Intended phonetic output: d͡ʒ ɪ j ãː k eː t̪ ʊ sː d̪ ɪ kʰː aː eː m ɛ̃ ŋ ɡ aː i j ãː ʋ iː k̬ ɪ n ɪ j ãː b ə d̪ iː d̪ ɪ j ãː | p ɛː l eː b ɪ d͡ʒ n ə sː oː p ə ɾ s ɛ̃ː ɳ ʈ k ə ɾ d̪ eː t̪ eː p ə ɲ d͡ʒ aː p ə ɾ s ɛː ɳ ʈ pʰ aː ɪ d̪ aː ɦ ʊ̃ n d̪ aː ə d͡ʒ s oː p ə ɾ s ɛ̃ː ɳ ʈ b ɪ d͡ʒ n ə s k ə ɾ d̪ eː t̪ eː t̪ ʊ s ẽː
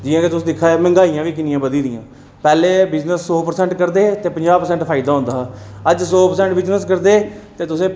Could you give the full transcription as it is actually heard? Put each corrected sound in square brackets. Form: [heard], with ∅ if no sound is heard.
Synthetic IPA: d͡ʒ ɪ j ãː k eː t̪ ʊ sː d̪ ɪ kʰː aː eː m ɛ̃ ŋ ɡ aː i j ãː ʋ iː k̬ ɪ n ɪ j ãː b ə d̪ iː d̪ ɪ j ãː | p ɛː l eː b ɪ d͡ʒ n ə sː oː p ə ɾ s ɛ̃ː ɳ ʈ k ə ɾ d̪ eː t̪ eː p ə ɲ d͡ʒ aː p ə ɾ s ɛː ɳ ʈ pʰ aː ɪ d̪ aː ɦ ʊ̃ n d̪ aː ə d͡ʒ s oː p ə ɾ s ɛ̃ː ɳ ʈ b ɪ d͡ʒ n ə s k ə ɾ d̪ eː t̪ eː t̪ ʊ s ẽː